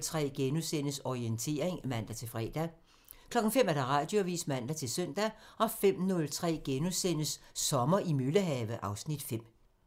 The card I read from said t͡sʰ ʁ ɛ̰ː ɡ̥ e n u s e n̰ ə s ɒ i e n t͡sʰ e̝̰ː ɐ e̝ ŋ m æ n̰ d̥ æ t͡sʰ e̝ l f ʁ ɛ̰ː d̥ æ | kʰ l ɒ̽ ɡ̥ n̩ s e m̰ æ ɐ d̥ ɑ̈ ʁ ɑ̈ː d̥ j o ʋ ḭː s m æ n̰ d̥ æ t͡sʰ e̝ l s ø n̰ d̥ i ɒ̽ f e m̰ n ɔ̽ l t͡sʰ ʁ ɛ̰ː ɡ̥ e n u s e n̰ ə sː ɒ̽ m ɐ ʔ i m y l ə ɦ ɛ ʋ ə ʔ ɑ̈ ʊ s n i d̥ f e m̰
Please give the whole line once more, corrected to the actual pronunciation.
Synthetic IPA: t͡sʰ ʁ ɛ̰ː ɡ̥ e n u s e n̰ ə s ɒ i e n t͡sʰ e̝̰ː ɐ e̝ ŋ m æ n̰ d̥ æ t͡sʰ e̝ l f ʁ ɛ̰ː d̥ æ | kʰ l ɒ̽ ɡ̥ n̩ f e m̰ æ ɐ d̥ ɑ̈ ʁ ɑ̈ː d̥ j o ʋ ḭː s m æ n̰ d̥ æ t͡sʰ e̝ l s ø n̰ d̥ æ ɒ̽ f e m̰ n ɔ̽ l t͡sʰ ʁ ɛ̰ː ɡ̥ e n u s e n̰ ə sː ɒ̽ m ɐ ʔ i m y l ə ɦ ɛ ʋ ə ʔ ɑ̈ ʊ s n i d̥ f e m̰